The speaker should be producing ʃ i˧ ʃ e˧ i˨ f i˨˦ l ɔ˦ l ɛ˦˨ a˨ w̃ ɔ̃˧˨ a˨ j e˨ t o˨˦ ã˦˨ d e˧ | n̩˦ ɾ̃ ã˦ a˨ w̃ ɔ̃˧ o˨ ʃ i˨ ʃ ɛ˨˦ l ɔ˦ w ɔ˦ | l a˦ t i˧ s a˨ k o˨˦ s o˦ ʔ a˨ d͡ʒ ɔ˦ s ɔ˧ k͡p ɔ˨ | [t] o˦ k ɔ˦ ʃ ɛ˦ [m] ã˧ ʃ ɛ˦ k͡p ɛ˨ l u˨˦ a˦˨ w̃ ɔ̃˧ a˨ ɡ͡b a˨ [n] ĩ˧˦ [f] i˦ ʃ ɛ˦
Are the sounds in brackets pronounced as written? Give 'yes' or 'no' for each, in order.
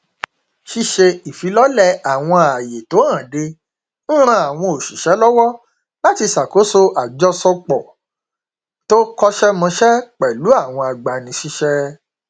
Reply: yes, yes, yes, no

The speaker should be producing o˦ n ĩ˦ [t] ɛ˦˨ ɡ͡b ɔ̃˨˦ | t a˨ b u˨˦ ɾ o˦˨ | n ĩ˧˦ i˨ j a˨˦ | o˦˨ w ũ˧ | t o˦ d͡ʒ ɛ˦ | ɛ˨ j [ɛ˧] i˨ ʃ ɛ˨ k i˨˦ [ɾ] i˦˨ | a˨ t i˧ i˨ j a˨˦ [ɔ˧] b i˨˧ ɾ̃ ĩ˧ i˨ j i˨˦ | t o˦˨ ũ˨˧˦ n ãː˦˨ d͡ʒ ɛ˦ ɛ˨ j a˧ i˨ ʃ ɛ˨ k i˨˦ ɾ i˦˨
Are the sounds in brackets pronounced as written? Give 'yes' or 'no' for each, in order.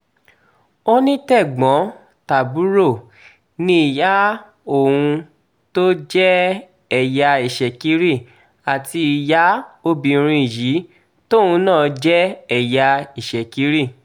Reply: yes, no, yes, no

